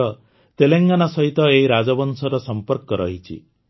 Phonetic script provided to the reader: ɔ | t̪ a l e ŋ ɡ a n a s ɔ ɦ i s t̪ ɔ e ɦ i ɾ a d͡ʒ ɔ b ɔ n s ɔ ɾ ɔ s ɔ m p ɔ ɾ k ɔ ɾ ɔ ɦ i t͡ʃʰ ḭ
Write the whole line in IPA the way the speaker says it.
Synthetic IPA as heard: ɔ | t̪ e l e ŋ ɡ a n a s ɔ ɦ i t̪ ɔ e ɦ i ɾ a d͡ʒ ɔ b ɔ n s ɔ ɾ ɔ s ɔ m p ɔ ɾ k ɔ ɾ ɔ ɦ i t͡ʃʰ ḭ